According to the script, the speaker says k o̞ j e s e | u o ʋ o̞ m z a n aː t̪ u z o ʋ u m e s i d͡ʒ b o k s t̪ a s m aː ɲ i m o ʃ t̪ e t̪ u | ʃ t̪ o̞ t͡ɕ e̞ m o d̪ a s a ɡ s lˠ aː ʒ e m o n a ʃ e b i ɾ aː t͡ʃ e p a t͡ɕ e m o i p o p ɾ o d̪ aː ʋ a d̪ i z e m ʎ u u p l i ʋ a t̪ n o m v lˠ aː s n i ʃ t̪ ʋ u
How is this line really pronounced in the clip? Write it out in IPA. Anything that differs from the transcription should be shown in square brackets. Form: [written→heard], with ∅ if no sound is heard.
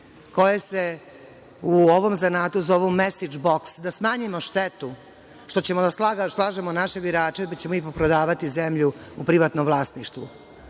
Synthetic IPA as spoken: k o̞ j e s e | u o ʋ o̞ m z a n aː t̪ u z o ʋ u m e s i d͡ʒ b o k s [t̪→d̪] a s m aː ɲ i m o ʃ t̪ e t̪ u | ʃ t̪ o̞ t͡ɕ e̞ m o d̪ a s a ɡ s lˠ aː ʒ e m o n a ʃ e b i ɾ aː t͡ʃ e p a t͡ɕ e m o i p o p ɾ o d̪ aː ʋ a [d̪→t̪] i z e m ʎ u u p [l→ɾ] i ʋ a t̪ n o m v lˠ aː s n i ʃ t̪ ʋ u